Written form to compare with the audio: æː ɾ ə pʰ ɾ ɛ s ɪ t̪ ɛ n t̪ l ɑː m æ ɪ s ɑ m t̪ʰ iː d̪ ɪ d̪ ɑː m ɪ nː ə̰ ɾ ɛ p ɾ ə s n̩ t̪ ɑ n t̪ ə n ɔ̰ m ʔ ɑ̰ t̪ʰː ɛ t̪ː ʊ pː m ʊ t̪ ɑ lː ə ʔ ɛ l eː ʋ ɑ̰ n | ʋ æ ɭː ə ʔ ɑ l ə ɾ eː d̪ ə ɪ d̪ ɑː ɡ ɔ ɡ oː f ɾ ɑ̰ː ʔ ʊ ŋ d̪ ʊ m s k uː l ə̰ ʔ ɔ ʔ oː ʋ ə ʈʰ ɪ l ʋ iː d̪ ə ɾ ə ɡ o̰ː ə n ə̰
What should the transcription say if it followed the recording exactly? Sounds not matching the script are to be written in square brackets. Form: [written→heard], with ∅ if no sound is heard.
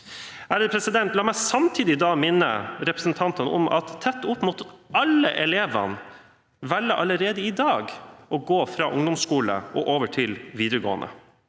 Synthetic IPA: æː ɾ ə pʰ ɾ ɛ s ɪ [t̪→d̪] ɛ n t̪ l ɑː m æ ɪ s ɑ m t̪ʰ iː d̪ ɪ d̪ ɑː m ɪ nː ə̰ ɾ ɛ p ɾ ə s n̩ [t̪→t̪ʰ] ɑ n t̪ ə n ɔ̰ m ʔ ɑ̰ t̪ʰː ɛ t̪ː ʊ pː m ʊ t̪ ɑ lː ə ʔ ɛ l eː ʋ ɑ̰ n | ʋ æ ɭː ə ʔ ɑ l ə ɾ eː d̪ ə ɪ d̪ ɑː ɡ ɔ ɡ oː f ɾ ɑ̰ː ʔ ʊ ŋ d̪ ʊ m s k uː l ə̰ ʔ ɔ ʔ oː ʋ ə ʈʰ ɪ l ʋ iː d̪ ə ɾ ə ɡ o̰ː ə n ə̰